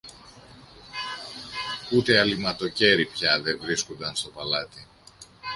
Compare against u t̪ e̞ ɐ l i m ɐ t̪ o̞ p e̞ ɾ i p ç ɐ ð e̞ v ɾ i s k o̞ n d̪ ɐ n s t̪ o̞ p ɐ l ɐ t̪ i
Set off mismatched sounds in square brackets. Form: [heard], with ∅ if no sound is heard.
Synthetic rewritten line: u t̪ e̞ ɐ l i m ɐ t̪ o̞ [c] e̞ ɾ i p ç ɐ ð e̞ v ɾ i s k o̞ n d̪ ɐ n s t̪ o̞ p ɐ l ɐ t̪ i